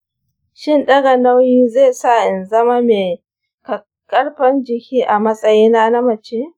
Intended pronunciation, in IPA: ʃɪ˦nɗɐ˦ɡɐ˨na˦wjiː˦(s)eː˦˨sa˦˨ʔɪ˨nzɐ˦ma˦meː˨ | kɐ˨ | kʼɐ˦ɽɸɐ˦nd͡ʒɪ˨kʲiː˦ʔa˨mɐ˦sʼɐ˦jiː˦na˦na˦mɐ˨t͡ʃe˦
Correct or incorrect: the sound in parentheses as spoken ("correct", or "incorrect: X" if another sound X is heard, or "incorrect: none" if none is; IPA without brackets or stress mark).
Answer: incorrect: z